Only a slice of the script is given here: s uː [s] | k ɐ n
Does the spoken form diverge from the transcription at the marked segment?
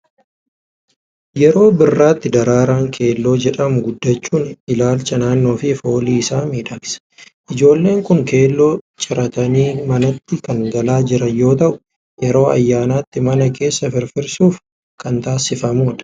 yes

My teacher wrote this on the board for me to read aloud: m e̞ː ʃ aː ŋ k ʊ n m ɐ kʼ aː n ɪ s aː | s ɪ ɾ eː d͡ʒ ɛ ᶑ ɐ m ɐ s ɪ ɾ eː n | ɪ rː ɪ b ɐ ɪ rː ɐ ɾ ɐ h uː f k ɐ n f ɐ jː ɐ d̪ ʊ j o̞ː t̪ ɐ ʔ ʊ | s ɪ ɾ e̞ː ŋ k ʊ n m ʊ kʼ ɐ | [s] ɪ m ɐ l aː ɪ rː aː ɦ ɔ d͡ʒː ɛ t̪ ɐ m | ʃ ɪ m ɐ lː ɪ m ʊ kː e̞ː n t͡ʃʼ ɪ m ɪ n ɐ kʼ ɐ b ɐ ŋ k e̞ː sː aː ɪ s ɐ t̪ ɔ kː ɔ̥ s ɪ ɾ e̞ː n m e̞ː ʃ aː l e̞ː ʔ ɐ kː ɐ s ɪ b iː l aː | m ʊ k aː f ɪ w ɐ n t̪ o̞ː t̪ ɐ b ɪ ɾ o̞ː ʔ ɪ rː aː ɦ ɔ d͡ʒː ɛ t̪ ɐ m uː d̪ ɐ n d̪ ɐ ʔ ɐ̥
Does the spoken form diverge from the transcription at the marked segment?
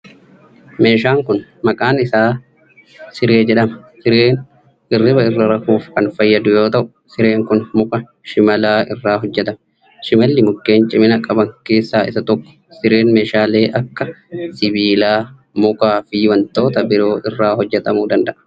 yes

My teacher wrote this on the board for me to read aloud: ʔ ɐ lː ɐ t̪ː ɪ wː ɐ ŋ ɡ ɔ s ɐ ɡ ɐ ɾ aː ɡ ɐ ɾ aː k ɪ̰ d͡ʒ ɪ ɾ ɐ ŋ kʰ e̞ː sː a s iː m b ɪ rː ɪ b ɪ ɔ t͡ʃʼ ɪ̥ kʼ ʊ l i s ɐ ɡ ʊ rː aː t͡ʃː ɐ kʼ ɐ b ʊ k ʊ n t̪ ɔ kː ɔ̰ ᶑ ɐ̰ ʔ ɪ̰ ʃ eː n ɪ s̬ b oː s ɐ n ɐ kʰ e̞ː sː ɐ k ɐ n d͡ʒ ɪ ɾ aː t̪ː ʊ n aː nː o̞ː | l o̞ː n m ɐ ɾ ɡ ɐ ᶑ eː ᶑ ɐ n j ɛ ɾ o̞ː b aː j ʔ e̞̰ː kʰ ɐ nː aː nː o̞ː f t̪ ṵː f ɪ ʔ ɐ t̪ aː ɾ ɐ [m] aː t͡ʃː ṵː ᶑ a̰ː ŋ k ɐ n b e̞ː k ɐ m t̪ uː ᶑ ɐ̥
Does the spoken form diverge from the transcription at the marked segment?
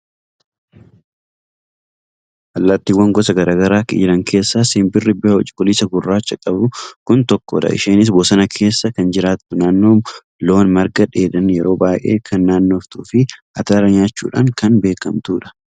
yes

